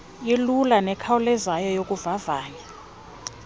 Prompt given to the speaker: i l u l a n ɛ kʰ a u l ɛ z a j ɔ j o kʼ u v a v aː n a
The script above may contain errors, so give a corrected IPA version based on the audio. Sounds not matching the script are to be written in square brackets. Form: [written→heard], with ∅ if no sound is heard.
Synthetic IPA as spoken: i l u l a n ɛ kʰ a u l ɛ z a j ɔ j o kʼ u v a v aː [n→ɲ] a